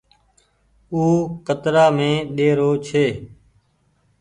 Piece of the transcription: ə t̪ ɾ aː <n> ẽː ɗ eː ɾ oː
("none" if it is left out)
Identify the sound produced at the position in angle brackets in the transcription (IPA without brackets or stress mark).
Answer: m